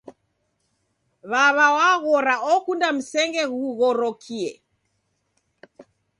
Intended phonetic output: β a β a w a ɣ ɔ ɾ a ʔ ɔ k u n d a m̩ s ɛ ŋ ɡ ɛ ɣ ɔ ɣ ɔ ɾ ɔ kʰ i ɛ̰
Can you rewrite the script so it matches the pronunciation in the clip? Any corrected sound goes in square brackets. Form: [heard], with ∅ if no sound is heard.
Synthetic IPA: β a β a w a ɣ ɔ ɾ a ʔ ɔ k u n d a m̩ s ɛ ŋ ɡ ɛ ɣ [u] ɣ ɔ ɾ ɔ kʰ i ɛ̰

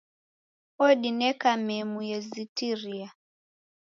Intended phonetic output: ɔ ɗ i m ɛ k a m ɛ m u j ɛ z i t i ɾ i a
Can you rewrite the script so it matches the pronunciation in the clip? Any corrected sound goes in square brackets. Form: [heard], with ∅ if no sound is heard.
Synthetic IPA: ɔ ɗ i [n] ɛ k a m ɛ m u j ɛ z i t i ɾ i a

